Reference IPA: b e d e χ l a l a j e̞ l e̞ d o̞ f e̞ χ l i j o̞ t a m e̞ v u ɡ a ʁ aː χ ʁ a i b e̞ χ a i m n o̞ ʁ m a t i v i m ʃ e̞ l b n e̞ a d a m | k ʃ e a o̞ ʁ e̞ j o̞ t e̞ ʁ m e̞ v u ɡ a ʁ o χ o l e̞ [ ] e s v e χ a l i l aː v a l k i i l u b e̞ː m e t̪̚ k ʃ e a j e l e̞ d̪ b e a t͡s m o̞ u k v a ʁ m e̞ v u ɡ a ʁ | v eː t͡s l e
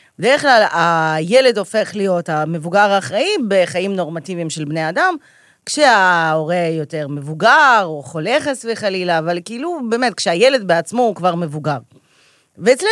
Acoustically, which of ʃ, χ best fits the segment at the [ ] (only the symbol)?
χ